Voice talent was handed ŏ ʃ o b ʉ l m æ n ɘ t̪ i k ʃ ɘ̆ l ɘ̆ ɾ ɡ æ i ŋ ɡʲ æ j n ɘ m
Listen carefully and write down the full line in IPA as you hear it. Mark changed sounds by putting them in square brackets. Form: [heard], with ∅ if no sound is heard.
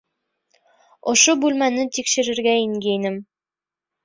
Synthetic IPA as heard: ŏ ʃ o b ʉ l m æ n ɘ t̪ i k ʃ ɘ̆ [ɾ] ɘ̆ ɾ ɡ æ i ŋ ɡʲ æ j n ɘ m

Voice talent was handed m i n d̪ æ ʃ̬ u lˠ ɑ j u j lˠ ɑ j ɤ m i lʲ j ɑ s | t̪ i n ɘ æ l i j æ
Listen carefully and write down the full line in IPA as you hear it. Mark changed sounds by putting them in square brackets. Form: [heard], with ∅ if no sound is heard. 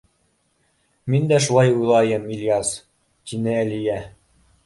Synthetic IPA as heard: m i n d̪ æ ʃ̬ u lˠ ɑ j u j lˠ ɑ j ɤ m i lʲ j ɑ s | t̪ i n ɘ æ l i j æ

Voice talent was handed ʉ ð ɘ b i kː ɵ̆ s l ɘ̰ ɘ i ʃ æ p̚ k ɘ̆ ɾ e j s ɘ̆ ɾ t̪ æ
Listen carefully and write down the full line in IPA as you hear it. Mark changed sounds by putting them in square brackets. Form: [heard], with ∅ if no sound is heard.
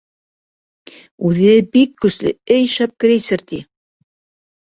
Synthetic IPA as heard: ʉ ð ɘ b i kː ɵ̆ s l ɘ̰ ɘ [j] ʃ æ p̚ k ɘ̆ ɾ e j s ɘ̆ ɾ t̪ [i]

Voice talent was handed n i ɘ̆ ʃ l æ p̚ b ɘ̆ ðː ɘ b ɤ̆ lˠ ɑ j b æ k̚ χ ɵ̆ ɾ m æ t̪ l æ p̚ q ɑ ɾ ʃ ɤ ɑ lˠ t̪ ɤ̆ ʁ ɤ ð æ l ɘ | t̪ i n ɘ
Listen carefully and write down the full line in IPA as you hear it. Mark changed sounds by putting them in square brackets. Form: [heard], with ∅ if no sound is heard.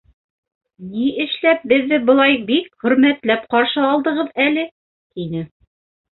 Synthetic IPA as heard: n i ɘ̆ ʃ l æ p̚ b ɘ̆ ðː ɘ b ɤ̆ lˠ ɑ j b [i] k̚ χ ɵ̆ ɾ m æ t̪ l æ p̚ q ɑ ɾ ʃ ɤ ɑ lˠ [d̪] ɤ̆ ʁ ɤ ð æ l ɘ | t̪ i n ɘ

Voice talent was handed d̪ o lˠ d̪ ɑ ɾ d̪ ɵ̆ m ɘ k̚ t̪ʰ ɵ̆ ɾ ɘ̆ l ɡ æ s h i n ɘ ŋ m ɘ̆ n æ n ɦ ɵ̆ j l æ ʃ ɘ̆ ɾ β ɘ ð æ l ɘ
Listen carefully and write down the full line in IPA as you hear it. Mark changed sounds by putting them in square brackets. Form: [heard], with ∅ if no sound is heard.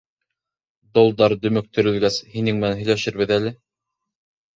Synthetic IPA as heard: d̪ o lˠ d̪ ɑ ɾ d̪ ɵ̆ m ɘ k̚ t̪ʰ ɵ̆ ɾ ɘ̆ l ɡ æ s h i n ɘ ŋ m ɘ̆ n æ n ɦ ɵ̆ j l æ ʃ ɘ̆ ɾ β ɘ ð æ l ɘ

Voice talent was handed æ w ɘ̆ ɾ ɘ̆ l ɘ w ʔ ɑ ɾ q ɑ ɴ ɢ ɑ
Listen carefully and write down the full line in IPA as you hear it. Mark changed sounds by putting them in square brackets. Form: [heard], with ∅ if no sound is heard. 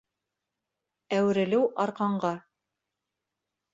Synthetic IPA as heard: æ w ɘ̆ ɾ ɘ̆ l ɘ w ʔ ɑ ɾ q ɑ ɴ ɢ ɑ

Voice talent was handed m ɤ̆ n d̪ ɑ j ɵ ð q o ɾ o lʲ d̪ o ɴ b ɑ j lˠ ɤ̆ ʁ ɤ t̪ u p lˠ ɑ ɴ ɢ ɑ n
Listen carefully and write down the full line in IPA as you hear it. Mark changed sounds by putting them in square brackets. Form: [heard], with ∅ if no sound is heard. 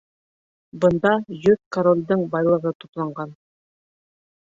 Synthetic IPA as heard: [b] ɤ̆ n d̪ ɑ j ɵ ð [k] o ɾ o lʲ d̪ [ɤ] ɴ b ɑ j lˠ ɤ̆ ʁ ɤ t̪ u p lˠ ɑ ɴ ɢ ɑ n

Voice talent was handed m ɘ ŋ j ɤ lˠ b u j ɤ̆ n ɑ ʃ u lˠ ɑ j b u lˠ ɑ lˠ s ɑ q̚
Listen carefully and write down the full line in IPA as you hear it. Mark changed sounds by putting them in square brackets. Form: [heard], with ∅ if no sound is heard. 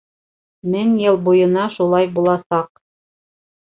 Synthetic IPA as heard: m ɘ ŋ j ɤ lˠ b u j ɤ̆ n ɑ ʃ u lˠ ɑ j b u lˠ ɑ [∅] s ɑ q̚

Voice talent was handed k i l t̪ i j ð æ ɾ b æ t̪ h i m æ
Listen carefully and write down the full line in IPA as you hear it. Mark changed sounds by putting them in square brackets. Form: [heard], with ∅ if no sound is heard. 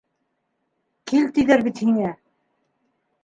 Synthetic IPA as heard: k i l t̪ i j ð æ ɾ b [i] t̪ h i [ŋ] æ

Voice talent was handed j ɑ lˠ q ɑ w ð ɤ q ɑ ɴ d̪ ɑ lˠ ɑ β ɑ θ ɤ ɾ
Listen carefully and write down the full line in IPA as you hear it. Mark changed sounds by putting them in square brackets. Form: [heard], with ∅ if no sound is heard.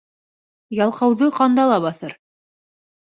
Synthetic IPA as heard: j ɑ lˠ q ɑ w ð ɤ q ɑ [n] d̪ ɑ lˠ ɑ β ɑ θ ɤ ɾ

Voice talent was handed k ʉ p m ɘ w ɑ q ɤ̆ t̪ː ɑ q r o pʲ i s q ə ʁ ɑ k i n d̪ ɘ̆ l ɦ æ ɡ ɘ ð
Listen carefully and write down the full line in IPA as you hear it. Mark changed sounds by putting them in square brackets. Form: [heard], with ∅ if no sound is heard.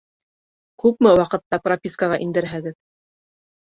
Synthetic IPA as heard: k ʉ p m ɘ w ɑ q ɤ̆ t̪ː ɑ [p] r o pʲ i s [k] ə ʁ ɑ [ʔ] i n d̪ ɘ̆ [ɾ] ɦ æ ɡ ɘ ð

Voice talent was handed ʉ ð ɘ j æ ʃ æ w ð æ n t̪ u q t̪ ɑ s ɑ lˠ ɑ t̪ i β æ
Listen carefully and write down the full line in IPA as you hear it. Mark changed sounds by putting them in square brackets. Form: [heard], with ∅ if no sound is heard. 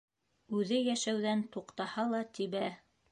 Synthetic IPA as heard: ʉ ð ɘ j æ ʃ æ w ð æ n t̪ u q t̪ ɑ [h] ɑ lˠ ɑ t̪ i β æ

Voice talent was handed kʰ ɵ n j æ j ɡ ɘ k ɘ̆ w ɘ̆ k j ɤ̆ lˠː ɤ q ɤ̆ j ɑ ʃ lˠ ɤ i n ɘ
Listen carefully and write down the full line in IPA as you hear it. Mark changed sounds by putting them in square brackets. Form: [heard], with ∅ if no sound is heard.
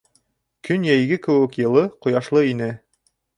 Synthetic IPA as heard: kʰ ɵ n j æ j ɡ ɘ k ɘ̆ w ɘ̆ k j ɤ̆ [lˠ] ɤ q [ŏ] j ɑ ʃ lˠ ɤ i n ɘ

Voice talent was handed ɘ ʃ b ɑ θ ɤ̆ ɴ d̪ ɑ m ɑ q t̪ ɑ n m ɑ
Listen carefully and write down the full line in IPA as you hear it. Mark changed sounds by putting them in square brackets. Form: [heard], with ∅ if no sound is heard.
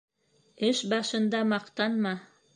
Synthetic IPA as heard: ɘ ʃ b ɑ [ʃ] ɤ̆ [n] d̪ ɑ m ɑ q t̪ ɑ n m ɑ

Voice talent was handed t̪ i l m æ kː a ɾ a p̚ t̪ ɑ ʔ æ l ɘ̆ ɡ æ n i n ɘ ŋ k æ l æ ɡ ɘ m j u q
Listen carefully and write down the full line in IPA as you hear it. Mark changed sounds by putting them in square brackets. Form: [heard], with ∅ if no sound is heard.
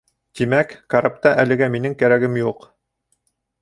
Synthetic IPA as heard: t̪ i [∅] m æ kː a ɾ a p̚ t̪ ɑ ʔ æ l ɘ̆ ɡ æ [m] i n ɘ ŋ k æ [ɾ] æ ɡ ɘ m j u q

